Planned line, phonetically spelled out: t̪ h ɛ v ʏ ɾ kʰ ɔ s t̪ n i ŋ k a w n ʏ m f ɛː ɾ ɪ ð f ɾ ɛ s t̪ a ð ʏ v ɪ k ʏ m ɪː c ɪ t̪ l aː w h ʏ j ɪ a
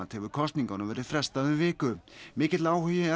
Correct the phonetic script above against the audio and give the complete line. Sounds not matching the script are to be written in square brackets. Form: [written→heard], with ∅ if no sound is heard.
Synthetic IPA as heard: t̪ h ɛ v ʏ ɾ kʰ ɔ s t̪ n i ŋ k a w n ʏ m [f→v] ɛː ɾ ɪ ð f ɾ ɛ s t̪ a ð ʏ v [ɪ→ɪː] k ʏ m ɪː c ɪ t̪ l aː w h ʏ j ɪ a